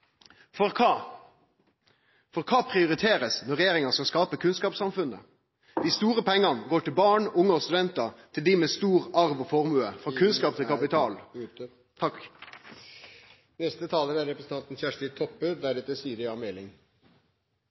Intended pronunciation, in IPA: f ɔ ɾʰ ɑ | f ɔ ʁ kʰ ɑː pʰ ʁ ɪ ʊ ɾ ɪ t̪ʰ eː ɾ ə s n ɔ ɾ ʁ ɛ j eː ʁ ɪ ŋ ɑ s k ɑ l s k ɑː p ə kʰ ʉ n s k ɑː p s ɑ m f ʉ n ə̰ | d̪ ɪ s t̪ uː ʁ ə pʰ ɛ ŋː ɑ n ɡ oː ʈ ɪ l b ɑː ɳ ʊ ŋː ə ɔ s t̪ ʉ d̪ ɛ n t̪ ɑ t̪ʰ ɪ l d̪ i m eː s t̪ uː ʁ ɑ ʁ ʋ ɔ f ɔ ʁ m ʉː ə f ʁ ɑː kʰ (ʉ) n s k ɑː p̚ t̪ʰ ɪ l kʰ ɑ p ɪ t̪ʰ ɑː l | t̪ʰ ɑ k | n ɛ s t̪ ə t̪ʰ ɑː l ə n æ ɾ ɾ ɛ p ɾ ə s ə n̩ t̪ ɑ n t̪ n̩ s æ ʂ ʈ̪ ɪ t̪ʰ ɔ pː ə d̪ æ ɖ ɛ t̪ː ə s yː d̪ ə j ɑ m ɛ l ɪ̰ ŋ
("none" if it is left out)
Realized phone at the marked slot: ʉ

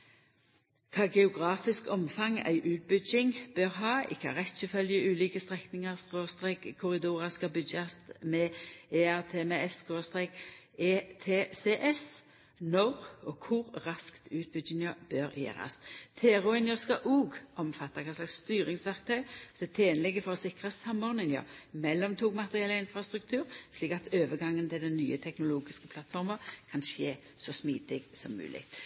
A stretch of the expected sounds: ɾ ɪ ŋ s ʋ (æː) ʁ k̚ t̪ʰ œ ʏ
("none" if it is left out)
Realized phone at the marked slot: æ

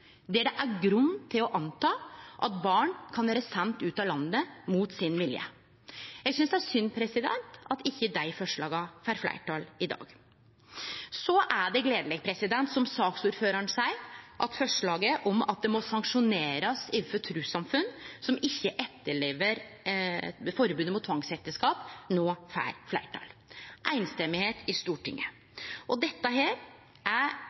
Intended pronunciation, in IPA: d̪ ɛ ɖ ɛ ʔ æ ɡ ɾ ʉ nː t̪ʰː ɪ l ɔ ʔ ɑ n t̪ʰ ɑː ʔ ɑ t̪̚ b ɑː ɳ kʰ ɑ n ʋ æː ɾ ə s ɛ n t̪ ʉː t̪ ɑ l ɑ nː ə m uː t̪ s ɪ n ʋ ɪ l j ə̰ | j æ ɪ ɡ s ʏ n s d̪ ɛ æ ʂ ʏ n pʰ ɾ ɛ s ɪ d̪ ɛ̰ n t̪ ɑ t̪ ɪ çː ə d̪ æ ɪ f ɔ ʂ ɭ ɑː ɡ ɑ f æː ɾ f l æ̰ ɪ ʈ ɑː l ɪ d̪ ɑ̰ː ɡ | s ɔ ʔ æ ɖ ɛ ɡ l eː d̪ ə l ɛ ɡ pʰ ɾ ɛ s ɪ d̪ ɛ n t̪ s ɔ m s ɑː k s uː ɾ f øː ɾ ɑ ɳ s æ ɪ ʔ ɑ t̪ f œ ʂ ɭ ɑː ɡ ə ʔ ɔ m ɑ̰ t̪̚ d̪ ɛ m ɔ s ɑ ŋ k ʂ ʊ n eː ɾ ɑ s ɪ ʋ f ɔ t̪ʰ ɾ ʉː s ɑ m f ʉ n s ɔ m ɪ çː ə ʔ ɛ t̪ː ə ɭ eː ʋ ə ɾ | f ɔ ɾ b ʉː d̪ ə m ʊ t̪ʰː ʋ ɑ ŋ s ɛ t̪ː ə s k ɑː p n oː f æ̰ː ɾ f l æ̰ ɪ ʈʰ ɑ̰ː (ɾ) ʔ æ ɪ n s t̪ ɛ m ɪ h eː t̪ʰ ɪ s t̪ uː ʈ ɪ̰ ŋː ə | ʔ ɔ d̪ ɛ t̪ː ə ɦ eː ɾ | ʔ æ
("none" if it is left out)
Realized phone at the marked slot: l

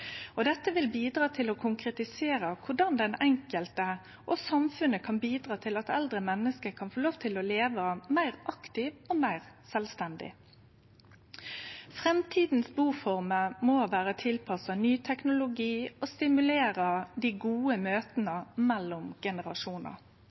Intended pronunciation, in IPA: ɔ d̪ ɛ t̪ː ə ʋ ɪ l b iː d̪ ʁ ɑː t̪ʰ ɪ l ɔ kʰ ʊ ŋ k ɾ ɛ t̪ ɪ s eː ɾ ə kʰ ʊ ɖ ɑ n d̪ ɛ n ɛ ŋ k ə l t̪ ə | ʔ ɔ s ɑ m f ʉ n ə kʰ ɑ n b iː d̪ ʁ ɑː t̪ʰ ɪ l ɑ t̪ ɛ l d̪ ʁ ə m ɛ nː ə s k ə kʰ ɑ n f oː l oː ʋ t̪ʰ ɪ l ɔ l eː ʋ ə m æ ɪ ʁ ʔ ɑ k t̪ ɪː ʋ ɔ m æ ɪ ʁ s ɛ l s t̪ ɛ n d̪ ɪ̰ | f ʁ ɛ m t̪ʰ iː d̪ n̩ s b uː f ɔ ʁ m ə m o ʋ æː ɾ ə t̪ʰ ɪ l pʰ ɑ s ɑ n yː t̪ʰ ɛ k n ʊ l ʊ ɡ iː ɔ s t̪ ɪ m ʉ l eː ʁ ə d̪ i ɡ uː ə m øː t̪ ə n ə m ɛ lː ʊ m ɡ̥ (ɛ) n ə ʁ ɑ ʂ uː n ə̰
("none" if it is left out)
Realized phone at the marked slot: ɛ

